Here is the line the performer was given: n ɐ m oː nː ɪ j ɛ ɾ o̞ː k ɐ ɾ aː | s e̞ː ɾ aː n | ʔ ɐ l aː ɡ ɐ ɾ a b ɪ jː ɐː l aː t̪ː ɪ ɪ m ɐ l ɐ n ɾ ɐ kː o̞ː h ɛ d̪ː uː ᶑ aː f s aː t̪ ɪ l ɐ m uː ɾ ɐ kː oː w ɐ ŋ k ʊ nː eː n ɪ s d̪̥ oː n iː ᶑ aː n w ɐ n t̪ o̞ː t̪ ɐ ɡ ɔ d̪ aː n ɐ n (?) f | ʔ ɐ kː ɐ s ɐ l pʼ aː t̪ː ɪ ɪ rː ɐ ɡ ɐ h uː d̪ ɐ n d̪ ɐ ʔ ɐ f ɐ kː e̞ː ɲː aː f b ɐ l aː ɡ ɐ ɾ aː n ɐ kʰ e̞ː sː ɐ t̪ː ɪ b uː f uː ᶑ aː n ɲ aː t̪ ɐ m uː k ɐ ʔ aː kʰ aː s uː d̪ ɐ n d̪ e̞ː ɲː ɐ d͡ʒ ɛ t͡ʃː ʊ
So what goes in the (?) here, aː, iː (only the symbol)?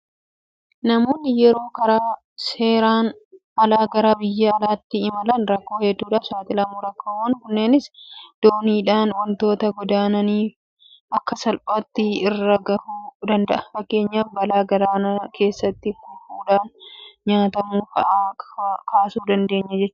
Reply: iː